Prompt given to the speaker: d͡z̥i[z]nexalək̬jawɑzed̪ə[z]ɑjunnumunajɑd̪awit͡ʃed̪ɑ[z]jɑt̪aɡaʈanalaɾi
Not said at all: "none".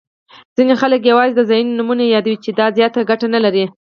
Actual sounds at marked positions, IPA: none, z, z

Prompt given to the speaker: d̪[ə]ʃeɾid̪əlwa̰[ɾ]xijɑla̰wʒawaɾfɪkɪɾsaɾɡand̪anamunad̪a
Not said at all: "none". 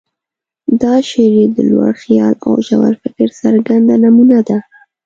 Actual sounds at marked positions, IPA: ɑ, ɽ

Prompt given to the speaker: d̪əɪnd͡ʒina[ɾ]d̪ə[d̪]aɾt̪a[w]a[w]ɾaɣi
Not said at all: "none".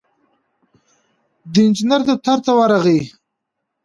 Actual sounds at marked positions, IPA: ɾ, t̪, w, none

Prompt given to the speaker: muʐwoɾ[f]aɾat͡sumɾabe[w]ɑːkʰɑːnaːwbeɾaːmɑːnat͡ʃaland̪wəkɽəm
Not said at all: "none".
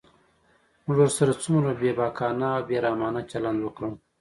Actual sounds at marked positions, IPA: s, b

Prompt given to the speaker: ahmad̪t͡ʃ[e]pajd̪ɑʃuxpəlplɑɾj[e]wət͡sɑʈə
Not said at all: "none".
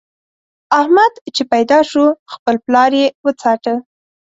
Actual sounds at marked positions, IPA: e, e

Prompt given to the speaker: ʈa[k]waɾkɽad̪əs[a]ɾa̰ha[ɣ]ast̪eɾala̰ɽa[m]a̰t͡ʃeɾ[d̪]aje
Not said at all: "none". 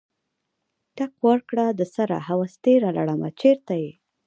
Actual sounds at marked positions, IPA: k, a, w, m, t̪

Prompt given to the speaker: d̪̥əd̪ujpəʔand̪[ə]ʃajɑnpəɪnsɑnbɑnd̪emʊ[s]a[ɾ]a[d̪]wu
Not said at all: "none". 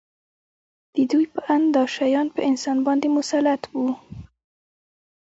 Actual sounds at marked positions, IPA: ɑ, s, l, t̪

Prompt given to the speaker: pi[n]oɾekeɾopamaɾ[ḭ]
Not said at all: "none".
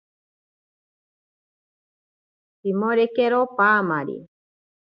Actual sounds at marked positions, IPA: m, ḭ

